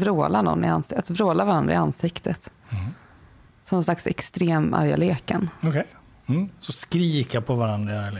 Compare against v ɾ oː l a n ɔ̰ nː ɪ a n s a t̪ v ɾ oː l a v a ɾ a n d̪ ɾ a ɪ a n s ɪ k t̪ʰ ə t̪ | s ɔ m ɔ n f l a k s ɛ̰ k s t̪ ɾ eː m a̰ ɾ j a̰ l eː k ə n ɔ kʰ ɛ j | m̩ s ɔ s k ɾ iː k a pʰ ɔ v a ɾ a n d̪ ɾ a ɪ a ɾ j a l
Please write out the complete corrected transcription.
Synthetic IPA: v ɾ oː l a n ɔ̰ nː ɪ a n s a t̪ v ɾ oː l a v a ɾ a n d̪ ɾ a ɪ a n s ɪ k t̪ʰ ə t̪ | s ɔ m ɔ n s l a k s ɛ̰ k s t̪ ɾ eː m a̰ ɾ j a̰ l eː k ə n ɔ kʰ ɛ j | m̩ s ɔ s k ɾ iː k a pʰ ɔ v a ɾ a n d̪ ɾ a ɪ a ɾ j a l